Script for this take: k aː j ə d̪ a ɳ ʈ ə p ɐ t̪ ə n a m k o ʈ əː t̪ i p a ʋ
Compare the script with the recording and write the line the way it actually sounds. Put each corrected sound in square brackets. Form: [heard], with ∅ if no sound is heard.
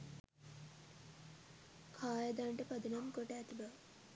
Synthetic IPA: [kʰ] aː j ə d̪ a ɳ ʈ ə p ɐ [d̪] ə n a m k o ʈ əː t̪ i [b] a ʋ